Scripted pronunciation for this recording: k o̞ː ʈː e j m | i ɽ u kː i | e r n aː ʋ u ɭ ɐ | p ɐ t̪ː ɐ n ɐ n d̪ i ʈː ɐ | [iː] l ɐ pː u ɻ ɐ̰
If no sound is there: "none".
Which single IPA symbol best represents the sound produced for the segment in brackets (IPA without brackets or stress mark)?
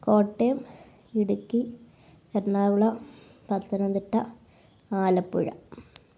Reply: aː